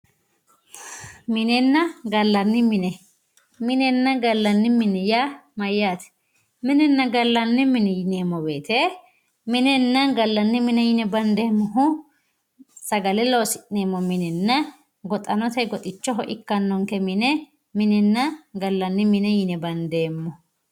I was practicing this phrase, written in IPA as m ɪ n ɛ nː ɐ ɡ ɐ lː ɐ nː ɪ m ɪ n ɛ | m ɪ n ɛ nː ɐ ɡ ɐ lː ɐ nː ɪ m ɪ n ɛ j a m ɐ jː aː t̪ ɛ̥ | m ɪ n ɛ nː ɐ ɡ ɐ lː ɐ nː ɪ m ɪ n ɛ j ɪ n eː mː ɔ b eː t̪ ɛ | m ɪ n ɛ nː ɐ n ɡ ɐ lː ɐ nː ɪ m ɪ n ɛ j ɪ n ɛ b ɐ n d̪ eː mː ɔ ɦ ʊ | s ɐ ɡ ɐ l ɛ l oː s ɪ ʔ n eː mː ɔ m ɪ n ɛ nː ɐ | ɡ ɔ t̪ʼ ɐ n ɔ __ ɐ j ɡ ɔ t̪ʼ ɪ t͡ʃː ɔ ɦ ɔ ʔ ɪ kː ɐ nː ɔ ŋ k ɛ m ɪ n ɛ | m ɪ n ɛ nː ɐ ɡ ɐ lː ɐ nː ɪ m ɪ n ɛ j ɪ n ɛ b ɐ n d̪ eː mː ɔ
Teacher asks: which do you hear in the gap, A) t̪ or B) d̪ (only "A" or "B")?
A